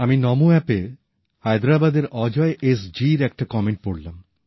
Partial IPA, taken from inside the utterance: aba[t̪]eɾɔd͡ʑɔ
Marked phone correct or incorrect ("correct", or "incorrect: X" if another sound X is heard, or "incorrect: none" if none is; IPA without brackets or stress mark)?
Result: incorrect: d̪